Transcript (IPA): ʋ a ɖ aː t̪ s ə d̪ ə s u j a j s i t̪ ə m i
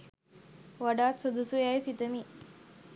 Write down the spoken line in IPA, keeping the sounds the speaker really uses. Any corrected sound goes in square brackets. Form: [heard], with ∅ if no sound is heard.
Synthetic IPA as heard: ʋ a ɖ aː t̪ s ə d̪ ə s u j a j s i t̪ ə m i